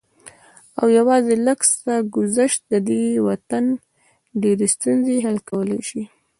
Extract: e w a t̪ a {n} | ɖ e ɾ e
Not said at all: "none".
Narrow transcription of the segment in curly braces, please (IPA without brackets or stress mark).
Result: n